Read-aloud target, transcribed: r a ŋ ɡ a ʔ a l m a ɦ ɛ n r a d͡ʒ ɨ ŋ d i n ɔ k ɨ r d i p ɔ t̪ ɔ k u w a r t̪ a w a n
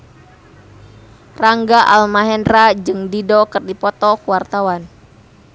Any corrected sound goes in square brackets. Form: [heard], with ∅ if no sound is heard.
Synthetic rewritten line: r a ŋ ɡ a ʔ a l m a ɦ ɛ n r a d͡ʒ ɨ ŋ d i [d] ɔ k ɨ r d i p ɔ t̪ ɔ k u w a r t̪ a w a n